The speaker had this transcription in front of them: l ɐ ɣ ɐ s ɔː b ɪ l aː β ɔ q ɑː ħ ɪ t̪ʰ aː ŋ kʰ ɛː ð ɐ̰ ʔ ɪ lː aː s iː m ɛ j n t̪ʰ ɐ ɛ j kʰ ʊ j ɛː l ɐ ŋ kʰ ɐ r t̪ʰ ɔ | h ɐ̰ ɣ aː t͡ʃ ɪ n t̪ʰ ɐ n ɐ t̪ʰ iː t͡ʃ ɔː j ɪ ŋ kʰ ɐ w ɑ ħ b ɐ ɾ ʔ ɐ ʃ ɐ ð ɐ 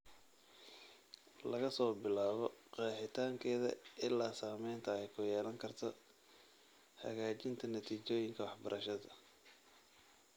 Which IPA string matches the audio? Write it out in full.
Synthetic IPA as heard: l ɐ ɣ ɐ s ɔː b ɪ l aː β ɔ q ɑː ħ ɪ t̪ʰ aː ŋ kʰ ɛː ð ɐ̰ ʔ ɪ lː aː s aː m ɛ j n t̪ʰ ɐ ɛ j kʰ ʊ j ɛː l ɐ ŋ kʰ ɐ r t̪ʰ ɔ | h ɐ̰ ɣ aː t͡ʃ ɪ n t̪ʰ ɐ n ɐ t̪ʰ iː t͡ʃ ɔː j ɪ ŋ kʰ ɐ w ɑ ħ b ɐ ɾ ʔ ɐ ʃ ɐ ð ɐ

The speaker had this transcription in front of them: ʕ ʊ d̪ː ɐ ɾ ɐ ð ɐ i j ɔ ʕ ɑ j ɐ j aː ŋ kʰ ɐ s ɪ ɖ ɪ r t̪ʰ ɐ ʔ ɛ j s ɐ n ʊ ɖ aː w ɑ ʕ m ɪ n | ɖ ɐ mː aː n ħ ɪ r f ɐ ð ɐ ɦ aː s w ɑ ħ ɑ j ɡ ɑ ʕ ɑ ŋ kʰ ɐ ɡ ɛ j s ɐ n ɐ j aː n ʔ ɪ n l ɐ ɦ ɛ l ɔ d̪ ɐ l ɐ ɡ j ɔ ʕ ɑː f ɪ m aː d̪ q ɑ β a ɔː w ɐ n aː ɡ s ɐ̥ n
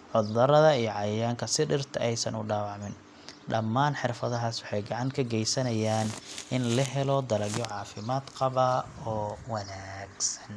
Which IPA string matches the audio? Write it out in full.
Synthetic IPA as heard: ʕ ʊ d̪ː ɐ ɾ ɐ ð ɐ i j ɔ ʕ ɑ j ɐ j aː ŋ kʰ ɐ s ɪ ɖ ɪ r t̪ʰ ɐ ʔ ɛ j s ɐ n ʊ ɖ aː w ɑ ʕ m ɪ n | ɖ ɐ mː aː n ħ ɪ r f ɐ ð ɐ ɦ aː s w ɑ ħ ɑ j ɡ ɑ ʕ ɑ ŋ kʰ ɐ ɡ ɛ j s ɐ n ɐ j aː n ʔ ɪ n l ɐ ɦ ɛ l ɔ d̪ ɐ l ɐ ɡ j ɔ ʕ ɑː f ɪ m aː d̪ q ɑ β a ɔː w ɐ n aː ɡ s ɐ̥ n

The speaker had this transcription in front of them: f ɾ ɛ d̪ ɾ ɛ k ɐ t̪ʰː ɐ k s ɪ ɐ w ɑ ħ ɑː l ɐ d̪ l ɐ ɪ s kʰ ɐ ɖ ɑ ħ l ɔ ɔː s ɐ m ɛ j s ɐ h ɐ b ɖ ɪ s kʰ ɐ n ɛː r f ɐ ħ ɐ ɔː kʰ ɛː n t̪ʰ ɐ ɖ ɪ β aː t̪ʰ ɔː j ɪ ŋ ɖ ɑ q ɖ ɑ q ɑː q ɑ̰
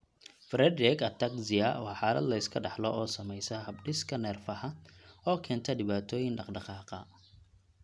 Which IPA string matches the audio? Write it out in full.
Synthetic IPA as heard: f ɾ ɛ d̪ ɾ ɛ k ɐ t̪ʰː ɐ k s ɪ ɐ w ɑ ħ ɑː l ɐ d̪ l ɐ ɪ s kʰ ɐ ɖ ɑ ħ l ɔ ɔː s ɐ m ɛ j s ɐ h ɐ b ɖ ɪ s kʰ ɐ n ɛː r f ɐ ħ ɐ ɔː kʰ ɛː n t̪ʰ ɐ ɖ ɪ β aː t̪ʰ ɔː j ɪ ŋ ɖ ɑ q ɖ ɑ q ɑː q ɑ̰

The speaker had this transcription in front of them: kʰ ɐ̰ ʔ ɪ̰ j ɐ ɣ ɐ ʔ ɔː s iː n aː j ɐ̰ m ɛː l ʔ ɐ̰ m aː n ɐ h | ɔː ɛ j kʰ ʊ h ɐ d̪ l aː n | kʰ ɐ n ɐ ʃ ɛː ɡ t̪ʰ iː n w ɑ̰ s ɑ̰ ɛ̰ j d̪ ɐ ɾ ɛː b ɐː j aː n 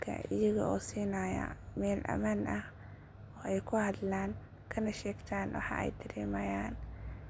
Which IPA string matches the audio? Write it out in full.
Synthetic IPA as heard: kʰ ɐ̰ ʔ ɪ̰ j ɐ ɣ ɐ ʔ ɔː s iː n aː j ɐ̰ m ɛː l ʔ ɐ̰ m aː n ɐ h | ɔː ɛ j kʰ ʊ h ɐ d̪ l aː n | kʰ ɐ n ɐ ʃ ɛː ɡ t̪ʰ aː n w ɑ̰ ħ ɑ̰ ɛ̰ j d̪ ɐ ɾ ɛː m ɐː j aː n

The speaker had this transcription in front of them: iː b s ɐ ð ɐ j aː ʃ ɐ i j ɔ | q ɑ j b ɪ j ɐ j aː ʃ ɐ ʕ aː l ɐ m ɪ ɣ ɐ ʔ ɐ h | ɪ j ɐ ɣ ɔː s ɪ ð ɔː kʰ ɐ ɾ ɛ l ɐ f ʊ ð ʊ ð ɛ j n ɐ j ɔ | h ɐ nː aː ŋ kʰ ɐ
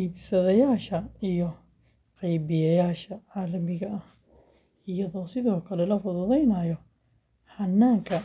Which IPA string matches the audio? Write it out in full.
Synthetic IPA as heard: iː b s ɐ ð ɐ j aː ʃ ɐ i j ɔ | q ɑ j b ɪ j ɐ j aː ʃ ɐ ʕ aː l ɐ m ɪ ɣ ɐ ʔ ɐ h | ɪ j ɐ ð ɔː s ɪ ð ɔː kʰ ɐ l ɛ l ɐ f ʊ ð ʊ ð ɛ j n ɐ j ɔ | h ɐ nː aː ŋ kʰ ɐ

